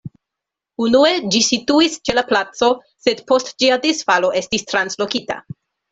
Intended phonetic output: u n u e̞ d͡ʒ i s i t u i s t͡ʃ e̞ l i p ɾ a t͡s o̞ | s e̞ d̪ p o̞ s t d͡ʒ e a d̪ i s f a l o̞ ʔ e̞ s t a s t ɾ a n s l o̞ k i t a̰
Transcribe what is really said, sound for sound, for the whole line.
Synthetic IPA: u n u e̞ d͡ʒ i s i t u i s t͡ʃ e̞ l a p l a t͡s o̞ | s e̞ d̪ p o̞ s t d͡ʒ i a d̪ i s f a l o̞ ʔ e̞ s t i s t ɾ a n s l o̞ k i t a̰